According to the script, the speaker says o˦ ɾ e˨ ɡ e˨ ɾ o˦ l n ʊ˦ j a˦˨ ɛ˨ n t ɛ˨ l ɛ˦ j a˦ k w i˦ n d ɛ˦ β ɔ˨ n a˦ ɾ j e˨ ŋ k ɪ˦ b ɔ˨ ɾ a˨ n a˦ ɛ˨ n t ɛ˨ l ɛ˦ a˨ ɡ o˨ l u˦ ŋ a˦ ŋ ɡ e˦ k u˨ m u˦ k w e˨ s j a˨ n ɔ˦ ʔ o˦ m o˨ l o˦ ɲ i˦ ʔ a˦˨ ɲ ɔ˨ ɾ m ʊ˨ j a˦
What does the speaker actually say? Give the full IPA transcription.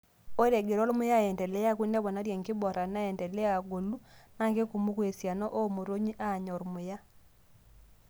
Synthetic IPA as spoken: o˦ ɾ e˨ ɡ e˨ ɾ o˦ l m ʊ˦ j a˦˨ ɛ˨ n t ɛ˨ l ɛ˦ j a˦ k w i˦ n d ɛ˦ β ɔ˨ n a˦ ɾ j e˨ ŋ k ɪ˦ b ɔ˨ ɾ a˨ n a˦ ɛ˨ n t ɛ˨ l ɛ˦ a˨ ɡ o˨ l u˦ n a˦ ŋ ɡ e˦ k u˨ m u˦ k w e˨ s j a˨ n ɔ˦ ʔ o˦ m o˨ ɾ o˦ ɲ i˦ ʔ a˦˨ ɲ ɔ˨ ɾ m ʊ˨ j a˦